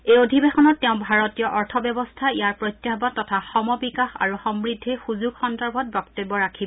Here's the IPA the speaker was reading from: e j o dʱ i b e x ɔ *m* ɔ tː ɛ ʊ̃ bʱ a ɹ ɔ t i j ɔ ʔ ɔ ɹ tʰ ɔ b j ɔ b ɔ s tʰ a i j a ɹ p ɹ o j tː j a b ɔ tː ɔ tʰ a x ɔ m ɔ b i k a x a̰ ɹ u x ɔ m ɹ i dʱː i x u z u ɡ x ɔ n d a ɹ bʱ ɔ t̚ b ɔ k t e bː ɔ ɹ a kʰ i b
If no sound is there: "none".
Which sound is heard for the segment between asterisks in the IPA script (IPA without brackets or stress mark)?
n